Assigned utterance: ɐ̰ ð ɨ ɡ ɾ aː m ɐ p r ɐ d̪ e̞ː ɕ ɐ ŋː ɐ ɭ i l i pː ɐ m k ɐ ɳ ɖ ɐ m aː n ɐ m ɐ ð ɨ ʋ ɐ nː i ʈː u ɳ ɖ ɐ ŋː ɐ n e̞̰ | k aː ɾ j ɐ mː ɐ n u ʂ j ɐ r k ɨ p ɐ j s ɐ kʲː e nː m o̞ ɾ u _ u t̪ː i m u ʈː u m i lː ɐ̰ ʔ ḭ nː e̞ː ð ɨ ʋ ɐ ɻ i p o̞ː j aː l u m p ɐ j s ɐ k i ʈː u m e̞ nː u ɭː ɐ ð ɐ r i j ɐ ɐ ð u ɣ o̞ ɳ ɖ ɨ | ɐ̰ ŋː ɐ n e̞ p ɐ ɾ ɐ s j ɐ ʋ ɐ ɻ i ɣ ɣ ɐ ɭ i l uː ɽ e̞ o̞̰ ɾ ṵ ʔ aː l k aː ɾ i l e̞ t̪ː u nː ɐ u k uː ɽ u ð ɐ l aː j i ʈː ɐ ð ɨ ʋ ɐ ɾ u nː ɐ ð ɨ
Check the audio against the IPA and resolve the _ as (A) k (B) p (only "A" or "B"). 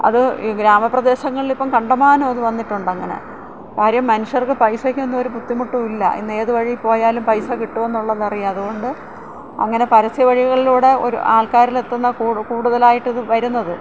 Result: B